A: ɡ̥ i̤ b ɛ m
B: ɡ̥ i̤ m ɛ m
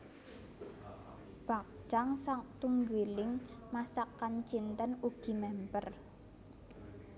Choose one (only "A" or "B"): B